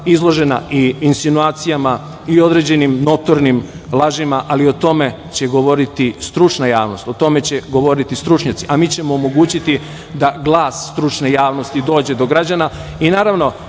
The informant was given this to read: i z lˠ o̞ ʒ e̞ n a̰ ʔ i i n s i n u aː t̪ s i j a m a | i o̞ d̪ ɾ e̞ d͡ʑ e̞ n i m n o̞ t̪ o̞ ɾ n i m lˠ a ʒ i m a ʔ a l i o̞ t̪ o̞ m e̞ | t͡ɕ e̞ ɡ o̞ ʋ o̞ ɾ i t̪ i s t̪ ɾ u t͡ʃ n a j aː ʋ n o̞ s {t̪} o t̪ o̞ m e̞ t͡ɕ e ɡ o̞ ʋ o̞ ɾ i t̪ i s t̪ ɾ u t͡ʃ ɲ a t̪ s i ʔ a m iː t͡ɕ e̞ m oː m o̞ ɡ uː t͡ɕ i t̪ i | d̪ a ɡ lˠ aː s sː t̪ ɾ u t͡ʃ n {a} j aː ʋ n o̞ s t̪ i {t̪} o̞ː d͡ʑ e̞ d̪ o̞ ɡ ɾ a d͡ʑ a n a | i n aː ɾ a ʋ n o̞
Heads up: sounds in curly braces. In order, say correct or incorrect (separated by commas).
correct, incorrect, incorrect